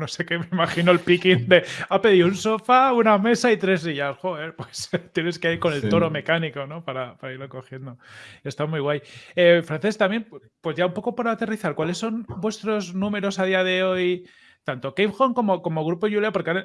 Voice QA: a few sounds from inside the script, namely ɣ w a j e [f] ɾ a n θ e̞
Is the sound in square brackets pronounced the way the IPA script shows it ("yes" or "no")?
yes